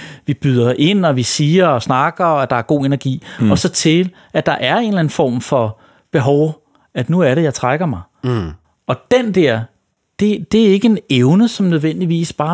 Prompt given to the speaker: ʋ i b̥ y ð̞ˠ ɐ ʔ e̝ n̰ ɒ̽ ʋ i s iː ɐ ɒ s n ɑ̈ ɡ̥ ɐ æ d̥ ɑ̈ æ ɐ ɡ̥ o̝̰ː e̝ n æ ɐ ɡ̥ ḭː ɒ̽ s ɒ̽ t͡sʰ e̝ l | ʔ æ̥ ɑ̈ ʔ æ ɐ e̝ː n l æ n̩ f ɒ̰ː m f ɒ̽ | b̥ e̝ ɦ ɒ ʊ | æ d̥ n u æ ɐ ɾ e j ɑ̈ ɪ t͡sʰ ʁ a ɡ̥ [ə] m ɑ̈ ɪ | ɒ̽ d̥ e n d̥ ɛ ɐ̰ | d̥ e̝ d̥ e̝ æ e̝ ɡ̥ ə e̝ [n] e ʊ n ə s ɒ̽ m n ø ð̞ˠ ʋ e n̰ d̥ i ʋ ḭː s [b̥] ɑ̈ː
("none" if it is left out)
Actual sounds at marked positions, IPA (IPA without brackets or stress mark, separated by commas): ɐ, n, b̥